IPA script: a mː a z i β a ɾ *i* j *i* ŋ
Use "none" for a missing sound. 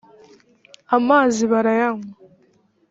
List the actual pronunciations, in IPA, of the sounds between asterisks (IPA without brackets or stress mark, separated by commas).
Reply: a, a